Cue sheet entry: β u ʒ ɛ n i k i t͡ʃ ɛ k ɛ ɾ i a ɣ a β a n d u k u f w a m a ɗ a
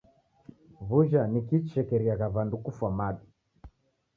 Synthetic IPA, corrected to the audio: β u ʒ a n i k i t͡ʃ ɛ k ɛ ɾ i a ɣ a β a n d u k u f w a m a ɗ i